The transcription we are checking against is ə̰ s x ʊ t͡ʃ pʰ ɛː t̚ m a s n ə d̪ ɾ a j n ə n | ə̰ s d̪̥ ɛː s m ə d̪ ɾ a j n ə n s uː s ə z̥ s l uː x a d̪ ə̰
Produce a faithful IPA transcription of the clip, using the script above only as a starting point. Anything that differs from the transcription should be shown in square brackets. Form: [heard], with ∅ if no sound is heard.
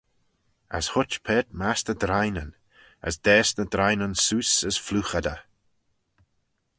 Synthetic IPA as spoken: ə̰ s [h] ʊ t͡ʃ pʰ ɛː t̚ m a s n ə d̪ ɾ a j n ə n | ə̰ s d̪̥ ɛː s [n] ə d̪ ɾ a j n ə n s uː s ə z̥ [f] l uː x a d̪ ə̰